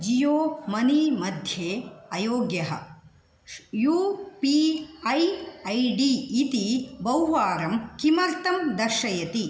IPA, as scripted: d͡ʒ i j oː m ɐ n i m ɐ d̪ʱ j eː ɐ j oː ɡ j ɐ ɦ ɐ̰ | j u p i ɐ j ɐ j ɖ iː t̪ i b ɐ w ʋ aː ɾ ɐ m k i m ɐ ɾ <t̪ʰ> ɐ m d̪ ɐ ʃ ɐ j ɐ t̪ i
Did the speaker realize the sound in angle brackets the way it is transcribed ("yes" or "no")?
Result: no